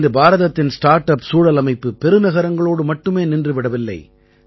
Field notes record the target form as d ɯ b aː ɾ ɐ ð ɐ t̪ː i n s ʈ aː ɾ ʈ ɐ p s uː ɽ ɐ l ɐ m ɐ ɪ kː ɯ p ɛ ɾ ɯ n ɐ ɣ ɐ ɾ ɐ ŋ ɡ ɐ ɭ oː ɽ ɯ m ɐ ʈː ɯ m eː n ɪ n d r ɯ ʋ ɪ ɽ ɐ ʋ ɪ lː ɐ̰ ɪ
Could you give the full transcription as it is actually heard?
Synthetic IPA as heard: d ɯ b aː ɾ ɐ ð ɐ t̪ː ɪ n s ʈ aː ɾ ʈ ɐ p s uː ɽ ɐ l ɐ m ɐ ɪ pː ɯ p ɛ ɾ ɯ n ɐ ɣ ɐ ɾ ɐ ŋ ɡ ɐ ɭ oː ɽ ɯ m ɐ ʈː ɯ m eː n ɪ n d r ɯ ʋ ɪ ɽ ɐ ʋ ɪ lː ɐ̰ ɪ